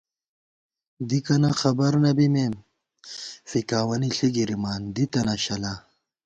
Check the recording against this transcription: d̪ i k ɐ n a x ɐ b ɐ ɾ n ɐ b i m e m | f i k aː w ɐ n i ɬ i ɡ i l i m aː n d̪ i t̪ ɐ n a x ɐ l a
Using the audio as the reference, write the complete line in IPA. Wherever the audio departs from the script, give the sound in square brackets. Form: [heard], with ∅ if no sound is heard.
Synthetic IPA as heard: d̪ i k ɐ n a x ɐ b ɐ ɾ n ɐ b i m e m | f i k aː w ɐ n i ɬ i ɡ i [ɾ] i m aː n d̪ i t̪ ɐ n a [ɕ] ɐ l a